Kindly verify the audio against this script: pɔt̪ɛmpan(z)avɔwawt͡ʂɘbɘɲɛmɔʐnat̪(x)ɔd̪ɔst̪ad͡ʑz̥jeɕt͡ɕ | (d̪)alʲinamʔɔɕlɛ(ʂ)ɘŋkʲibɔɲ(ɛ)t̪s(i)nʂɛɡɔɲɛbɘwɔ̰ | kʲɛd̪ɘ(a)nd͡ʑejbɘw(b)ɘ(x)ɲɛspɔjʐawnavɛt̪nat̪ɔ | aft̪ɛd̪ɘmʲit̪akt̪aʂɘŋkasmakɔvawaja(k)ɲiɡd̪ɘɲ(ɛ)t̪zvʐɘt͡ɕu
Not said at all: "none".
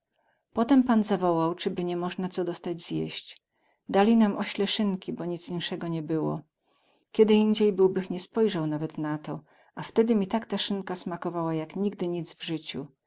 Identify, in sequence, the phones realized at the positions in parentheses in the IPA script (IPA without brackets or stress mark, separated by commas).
z, s, d̪, ʂ, i, i, i, b, x, k, i